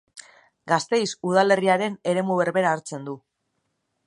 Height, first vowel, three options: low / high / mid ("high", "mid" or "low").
low